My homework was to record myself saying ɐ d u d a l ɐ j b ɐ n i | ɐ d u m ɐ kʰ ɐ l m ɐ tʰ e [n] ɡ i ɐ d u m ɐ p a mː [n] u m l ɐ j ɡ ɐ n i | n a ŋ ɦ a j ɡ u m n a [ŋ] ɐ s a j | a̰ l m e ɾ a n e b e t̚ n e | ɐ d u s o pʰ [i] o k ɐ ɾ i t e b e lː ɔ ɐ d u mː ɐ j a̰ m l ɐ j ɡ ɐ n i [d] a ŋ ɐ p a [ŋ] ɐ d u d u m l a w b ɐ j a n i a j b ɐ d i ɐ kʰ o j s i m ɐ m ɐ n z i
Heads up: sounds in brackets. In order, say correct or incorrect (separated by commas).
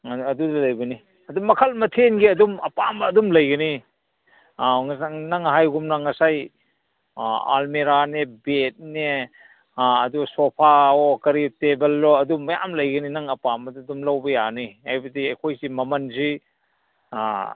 correct, incorrect, correct, incorrect, incorrect, incorrect